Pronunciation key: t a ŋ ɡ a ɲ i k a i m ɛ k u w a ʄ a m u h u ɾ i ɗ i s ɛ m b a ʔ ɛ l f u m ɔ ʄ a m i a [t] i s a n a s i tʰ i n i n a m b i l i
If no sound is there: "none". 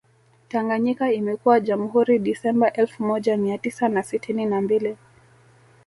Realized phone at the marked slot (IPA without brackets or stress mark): t